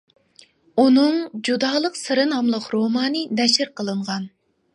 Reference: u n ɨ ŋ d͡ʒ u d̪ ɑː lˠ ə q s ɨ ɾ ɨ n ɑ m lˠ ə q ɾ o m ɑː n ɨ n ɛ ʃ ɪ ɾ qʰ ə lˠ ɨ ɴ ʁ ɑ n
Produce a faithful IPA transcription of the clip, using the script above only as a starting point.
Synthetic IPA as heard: u n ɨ ŋ d͡ʒ u d̪ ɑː lˠ ə q s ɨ ɾ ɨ n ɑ m lˠ ə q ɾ o m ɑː n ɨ n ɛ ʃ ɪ ɾ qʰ ə lˠ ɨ ɴ ʁ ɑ n